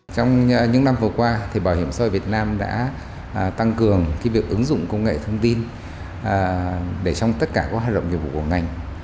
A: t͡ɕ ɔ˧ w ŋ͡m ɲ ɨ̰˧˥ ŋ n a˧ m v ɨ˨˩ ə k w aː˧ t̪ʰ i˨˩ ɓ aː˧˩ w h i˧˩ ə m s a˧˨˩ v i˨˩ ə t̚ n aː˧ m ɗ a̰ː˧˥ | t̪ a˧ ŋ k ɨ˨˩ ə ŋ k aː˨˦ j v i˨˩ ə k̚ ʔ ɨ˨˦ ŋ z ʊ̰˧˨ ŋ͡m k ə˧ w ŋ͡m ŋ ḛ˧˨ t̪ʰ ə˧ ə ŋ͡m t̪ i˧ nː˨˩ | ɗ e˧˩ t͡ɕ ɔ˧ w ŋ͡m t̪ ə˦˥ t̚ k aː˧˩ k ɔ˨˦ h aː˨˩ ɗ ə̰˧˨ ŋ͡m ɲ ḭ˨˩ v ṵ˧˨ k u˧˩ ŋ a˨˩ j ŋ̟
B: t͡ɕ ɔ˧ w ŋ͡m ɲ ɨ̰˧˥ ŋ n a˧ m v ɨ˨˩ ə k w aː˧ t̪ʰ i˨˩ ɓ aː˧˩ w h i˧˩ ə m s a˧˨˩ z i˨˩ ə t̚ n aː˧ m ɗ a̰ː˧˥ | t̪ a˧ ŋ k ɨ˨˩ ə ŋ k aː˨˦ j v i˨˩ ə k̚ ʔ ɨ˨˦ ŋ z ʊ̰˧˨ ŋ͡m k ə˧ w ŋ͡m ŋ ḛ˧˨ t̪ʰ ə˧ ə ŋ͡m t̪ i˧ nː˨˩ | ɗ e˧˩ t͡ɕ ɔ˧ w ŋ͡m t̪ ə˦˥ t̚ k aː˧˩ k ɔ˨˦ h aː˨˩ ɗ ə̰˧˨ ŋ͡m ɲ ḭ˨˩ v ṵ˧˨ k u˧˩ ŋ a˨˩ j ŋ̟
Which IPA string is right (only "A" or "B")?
A